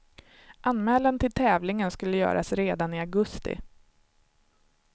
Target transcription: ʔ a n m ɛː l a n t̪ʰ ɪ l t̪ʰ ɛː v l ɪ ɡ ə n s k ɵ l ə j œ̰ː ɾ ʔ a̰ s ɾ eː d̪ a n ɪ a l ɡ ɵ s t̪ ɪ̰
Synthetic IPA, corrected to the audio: ʔ a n m ɛː l a n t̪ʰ ɪ l t̪ʰ ɛː v l ɪ ŋ ə n s k ɵ lː ə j œ̰ː ɾ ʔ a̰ s ɾ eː d̪ a n ɪ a ɡ ɵ s t̪ ɪ̰